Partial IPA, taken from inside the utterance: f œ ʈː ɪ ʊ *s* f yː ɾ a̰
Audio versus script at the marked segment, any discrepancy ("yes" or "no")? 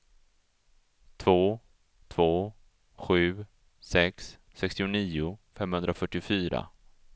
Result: yes